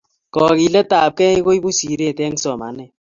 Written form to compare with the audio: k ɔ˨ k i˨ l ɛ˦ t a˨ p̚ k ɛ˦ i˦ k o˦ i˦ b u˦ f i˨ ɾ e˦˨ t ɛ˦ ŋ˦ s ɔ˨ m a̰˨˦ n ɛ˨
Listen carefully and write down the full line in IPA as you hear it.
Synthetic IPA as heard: k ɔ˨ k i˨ l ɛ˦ t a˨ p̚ k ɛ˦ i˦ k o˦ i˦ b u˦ s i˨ ɾ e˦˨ t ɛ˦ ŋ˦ s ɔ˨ m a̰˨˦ n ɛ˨

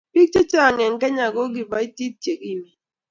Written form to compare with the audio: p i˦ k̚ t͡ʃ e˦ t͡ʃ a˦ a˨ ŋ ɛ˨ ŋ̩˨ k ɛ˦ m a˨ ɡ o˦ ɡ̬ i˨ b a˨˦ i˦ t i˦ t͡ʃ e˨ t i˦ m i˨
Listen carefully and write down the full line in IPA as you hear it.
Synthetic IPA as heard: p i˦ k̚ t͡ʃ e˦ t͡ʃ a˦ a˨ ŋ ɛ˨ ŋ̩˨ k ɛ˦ ɲ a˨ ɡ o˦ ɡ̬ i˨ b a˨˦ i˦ t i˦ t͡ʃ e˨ k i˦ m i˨

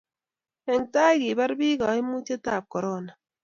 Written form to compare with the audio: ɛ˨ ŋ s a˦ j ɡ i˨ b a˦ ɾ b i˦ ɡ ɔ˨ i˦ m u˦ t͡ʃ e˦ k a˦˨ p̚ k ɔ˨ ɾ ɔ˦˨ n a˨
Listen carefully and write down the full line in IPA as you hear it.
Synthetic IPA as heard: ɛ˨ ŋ t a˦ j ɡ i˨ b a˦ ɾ b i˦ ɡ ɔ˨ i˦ m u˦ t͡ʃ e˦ t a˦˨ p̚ k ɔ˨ ɾ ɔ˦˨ n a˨

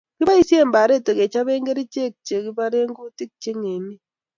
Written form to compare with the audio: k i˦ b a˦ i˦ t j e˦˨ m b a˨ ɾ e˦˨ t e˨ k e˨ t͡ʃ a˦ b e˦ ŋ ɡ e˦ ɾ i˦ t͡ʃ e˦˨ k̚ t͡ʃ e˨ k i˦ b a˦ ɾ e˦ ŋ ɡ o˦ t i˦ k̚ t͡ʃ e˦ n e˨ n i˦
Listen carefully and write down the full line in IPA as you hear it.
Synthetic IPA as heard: k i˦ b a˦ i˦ s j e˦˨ m b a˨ ɾ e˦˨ t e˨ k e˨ t͡ʃ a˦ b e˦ ŋ ɡ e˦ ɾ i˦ t͡ʃ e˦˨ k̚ t͡ʃ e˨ k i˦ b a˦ ɾ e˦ ŋ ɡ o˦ t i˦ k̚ t͡ʃ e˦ ŋ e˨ n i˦

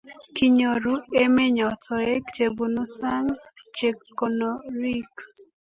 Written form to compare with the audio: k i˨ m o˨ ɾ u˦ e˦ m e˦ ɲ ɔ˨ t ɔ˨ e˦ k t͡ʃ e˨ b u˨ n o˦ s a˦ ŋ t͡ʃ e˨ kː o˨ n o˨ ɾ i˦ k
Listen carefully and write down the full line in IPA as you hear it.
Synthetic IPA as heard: k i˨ ɲ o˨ ɾ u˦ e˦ m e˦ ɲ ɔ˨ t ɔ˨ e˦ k t͡ʃ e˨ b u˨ n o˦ s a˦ ŋ t͡ʃ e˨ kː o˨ n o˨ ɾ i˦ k

